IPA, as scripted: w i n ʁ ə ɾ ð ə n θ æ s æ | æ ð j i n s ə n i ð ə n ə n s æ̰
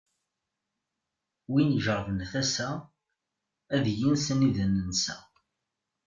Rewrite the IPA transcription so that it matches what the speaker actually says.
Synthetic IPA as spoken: w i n ʒ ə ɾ v ə n θ æ s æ | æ ð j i n s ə n i ð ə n ə n s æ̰

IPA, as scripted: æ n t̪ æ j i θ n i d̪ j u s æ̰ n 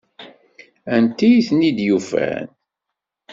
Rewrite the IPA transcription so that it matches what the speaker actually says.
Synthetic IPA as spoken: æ n t̪ i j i θ n i d̪ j u f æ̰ n

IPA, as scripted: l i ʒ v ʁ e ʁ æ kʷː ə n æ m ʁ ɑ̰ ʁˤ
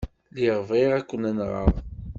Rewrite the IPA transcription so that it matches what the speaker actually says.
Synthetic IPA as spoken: l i ʁ v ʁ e ʁ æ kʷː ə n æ n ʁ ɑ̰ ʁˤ

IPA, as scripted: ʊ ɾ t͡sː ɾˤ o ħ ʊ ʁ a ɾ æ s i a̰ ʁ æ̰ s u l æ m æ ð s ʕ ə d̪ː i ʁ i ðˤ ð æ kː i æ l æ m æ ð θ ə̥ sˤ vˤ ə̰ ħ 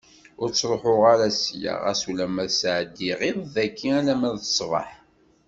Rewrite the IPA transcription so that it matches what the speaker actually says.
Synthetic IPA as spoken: ʊ ɾ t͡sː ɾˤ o ħ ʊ ʁ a ɾ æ s j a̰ ʁ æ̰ s u l æ m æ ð s ʕ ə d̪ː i ʁ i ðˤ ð æ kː i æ l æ m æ ð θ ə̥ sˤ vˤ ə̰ ħ

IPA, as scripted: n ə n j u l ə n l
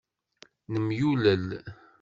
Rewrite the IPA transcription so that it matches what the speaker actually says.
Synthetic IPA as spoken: n ə m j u l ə l

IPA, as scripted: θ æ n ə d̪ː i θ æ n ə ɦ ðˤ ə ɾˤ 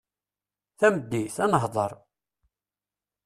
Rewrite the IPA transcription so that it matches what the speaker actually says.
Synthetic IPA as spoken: θ æ m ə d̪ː i θ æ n ə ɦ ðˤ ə ɾˤ

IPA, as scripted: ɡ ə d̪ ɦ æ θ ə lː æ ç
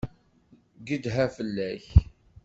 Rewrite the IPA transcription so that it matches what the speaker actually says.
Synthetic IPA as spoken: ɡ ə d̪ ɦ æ f ə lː æ ç

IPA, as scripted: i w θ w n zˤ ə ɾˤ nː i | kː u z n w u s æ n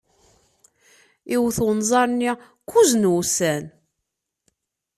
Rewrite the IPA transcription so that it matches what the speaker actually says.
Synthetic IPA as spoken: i w θ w n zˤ ɑ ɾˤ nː i | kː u z n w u s æ n

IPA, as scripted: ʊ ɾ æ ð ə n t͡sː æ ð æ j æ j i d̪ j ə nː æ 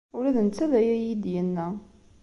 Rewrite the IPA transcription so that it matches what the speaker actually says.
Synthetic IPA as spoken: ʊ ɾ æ ð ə n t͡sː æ ð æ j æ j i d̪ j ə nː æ

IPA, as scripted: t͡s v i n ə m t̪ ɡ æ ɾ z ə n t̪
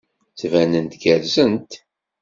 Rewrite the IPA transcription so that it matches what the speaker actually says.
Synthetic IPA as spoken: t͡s v æ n ə n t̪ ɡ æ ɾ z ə n t̪

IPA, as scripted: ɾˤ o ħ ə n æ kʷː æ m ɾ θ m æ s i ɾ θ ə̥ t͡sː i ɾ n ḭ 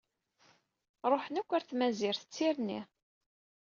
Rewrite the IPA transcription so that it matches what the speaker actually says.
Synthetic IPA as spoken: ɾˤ o ħ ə n æ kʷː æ ɾ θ m æ z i ɾ θ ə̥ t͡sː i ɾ n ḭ

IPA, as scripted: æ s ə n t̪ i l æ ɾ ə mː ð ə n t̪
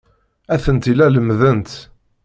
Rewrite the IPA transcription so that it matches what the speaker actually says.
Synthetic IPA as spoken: æ θ ə n t̪ i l æ l ə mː ð ə n t̪

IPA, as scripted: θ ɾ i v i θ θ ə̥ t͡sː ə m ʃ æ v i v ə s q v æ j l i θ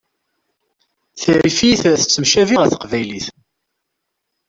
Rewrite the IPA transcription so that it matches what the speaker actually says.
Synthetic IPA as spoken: θ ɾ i f i θ θ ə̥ t͡sː ə m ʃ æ v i ʁ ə θ q v æ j l i θ

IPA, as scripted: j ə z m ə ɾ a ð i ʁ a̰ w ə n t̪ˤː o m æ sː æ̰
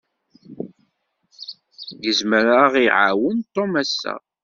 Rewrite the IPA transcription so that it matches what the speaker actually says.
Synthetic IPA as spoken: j ə z m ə ɾ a ʁ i ʕ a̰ w ə n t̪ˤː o m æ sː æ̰

